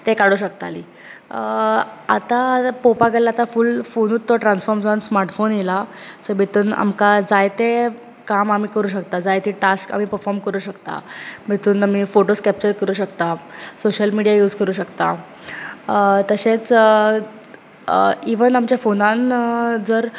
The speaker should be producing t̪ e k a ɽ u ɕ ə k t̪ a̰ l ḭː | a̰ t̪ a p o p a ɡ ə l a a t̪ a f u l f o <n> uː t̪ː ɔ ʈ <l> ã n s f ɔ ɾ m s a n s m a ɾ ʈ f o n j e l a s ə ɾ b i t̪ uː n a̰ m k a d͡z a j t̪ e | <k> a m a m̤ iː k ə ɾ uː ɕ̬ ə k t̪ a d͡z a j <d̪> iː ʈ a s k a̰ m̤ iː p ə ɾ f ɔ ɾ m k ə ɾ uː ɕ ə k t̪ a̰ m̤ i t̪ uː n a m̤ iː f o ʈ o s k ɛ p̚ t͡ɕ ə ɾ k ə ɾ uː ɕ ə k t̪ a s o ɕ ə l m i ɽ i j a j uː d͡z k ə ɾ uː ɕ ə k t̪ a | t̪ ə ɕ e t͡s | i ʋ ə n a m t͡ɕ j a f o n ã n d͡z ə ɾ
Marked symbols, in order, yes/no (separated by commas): yes, no, yes, no